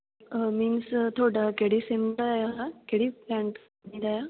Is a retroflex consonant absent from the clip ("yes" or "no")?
no